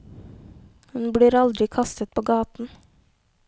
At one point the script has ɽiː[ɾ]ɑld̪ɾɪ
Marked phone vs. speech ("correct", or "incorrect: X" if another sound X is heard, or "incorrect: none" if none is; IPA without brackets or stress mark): correct